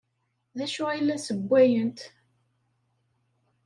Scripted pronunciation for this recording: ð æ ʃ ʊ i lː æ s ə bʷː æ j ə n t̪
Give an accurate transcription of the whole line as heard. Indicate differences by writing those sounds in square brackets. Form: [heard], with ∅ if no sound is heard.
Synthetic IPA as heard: ð æ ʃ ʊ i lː æ s ə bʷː æ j ə n t̪